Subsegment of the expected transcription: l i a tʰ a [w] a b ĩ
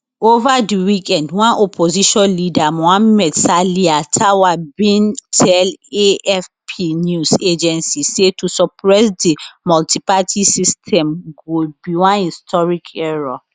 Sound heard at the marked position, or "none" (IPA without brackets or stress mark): w